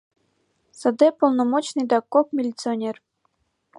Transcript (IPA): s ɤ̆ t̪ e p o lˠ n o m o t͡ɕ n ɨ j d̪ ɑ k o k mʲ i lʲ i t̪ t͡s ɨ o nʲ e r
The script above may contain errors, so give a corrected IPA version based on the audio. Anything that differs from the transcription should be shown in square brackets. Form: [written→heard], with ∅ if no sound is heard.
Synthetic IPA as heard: s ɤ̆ [t̪→d̪] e p o lˠ n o m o t͡ɕ n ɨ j d̪ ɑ k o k mʲ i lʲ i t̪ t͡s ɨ o nʲ e r